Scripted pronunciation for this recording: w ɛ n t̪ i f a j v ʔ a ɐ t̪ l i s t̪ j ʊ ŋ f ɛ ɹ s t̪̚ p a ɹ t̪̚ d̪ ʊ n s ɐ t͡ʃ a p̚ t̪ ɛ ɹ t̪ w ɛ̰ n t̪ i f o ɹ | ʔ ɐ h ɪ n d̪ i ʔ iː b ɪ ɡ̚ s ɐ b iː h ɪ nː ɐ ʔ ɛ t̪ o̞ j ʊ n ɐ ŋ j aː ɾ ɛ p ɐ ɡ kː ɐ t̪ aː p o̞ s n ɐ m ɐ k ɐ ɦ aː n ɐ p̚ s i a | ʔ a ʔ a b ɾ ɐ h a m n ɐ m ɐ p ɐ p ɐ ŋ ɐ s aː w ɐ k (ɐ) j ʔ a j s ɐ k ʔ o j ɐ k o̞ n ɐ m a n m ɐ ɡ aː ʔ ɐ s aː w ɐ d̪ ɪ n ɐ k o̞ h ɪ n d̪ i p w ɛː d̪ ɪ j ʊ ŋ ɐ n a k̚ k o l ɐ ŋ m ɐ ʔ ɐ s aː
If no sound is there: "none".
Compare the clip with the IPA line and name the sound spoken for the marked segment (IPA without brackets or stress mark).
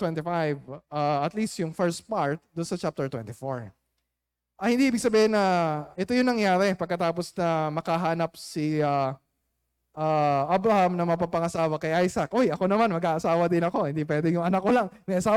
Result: ɐ